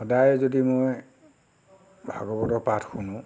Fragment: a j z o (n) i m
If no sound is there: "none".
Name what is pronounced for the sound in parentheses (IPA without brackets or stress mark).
d